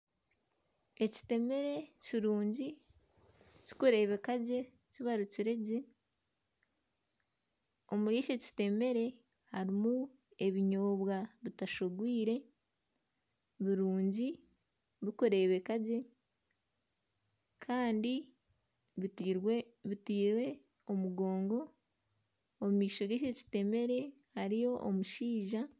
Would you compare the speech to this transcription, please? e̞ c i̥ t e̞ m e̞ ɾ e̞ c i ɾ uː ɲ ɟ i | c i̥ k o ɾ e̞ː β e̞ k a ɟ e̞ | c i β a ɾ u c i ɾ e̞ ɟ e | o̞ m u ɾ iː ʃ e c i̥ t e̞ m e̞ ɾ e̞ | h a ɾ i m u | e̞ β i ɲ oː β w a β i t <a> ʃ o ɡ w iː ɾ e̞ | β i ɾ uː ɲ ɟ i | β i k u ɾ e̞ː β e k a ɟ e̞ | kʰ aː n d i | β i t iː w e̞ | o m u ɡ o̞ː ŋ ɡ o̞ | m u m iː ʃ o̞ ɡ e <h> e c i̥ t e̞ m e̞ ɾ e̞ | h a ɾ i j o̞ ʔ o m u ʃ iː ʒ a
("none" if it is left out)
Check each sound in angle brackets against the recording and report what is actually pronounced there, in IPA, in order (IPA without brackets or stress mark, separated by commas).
a, ʃ